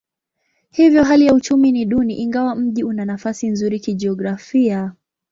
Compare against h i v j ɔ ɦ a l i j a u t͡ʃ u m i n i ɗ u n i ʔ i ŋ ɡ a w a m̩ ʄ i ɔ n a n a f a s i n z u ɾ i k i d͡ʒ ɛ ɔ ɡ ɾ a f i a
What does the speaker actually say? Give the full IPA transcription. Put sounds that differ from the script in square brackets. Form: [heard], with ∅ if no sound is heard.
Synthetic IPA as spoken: h i v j ɔ ɦ a l i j a u t͡ʃ u m i n i ɗ u n i ʔ i ŋ ɡ a w a m̩ ʄ i [u] n a n a f a s i n z u ɾ i k i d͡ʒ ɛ ɔ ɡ ɾ a f i a